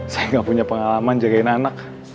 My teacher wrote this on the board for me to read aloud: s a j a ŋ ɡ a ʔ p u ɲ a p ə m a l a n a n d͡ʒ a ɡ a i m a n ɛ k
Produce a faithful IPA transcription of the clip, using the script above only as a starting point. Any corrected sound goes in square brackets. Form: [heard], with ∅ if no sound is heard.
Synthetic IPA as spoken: s a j a ŋ ɡ a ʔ p u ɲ a p ə [ŋ] a l a [m] a n d͡ʒ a ɡ a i [n] a n [a] k